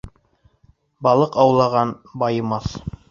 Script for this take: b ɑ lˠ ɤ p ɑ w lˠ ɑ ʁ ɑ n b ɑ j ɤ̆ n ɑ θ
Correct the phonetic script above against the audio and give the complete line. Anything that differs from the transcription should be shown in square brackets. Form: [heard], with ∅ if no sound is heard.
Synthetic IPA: b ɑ lˠ ɤ [q] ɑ w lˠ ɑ ʁ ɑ n b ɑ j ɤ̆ [m] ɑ θ